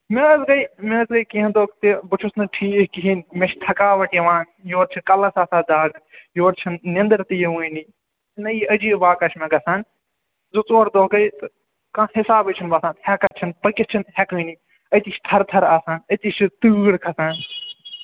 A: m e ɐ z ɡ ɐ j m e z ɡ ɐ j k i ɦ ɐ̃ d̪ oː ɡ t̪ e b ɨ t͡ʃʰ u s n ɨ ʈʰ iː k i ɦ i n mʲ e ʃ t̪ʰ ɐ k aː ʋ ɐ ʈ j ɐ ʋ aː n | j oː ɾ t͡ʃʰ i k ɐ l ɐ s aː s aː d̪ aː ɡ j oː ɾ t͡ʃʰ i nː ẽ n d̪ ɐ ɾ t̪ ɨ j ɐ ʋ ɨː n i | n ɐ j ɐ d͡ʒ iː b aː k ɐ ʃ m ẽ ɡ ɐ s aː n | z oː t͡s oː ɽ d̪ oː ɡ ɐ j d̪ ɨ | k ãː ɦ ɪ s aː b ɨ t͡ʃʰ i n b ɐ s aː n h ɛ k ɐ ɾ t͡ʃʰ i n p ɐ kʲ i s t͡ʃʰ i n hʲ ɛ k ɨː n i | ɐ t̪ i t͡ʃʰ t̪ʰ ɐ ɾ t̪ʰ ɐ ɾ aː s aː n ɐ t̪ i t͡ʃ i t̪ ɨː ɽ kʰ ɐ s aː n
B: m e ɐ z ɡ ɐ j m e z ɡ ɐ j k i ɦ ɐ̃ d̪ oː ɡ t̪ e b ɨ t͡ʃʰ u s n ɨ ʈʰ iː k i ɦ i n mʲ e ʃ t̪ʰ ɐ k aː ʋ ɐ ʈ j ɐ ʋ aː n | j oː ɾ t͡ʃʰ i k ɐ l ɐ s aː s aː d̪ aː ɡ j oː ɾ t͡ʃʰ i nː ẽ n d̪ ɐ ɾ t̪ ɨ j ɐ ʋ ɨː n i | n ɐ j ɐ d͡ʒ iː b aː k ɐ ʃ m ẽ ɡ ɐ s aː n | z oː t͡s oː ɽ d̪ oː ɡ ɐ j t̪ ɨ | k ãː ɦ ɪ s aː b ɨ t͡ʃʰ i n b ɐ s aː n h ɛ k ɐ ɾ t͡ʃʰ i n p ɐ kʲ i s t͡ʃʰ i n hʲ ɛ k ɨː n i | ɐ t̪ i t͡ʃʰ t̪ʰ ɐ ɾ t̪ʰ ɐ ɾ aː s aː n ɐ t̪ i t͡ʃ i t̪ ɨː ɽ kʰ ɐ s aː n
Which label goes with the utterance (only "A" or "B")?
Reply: B